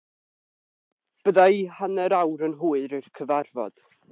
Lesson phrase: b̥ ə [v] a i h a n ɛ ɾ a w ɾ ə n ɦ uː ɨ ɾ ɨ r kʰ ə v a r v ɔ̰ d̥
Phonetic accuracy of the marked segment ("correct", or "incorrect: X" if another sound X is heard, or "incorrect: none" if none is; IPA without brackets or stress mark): incorrect: ð